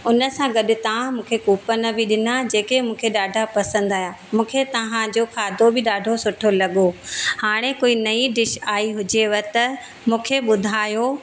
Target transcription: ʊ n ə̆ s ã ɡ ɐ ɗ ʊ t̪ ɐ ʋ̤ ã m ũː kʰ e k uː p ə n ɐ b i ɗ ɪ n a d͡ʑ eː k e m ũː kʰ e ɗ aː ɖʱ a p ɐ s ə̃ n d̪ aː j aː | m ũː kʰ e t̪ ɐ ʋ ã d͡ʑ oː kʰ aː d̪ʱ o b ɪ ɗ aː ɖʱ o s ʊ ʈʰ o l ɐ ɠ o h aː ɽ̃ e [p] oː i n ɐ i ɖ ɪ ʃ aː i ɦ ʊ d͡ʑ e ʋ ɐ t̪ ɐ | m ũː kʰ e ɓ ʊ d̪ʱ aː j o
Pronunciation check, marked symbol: incorrect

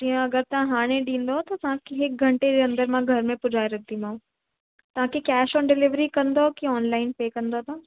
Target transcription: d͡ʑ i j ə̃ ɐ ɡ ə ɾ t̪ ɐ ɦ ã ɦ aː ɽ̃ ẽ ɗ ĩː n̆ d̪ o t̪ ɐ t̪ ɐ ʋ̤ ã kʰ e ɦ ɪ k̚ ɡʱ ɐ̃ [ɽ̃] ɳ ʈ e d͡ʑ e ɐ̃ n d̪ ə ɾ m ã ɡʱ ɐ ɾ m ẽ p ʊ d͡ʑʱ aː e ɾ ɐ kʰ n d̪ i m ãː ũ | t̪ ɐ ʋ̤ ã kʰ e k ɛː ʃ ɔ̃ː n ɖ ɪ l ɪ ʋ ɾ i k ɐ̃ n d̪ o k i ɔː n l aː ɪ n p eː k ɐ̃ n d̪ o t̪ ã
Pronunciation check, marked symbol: incorrect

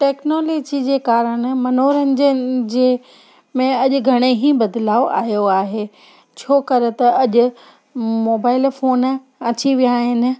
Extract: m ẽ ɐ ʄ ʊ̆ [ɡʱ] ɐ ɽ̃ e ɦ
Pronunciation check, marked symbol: correct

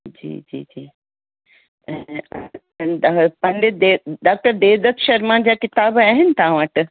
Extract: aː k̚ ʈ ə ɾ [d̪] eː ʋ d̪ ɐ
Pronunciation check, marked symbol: correct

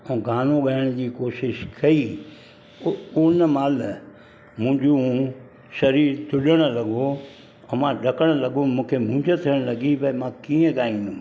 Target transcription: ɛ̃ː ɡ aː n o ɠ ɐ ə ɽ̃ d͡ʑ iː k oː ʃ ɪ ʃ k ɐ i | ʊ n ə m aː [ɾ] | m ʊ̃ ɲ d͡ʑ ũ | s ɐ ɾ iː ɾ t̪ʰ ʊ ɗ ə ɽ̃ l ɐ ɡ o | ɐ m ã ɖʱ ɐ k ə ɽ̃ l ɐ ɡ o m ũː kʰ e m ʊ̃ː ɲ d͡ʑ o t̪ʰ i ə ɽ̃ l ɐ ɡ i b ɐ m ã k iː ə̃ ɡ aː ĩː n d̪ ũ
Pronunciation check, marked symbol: incorrect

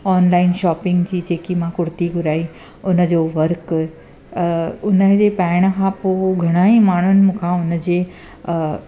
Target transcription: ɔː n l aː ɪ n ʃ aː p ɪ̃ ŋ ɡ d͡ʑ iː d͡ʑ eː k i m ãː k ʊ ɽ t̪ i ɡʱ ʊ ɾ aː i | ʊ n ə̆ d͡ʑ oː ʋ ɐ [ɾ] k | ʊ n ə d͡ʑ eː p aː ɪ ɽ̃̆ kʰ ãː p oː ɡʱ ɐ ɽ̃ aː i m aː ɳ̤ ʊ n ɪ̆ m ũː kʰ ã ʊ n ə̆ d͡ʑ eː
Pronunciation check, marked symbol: correct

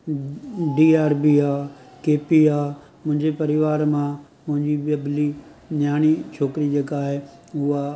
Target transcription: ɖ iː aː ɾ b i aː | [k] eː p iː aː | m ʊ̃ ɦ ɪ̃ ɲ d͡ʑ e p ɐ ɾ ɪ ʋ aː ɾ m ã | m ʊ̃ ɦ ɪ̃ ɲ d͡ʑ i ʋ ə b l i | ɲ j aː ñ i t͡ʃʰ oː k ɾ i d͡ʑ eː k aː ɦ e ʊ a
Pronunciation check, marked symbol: correct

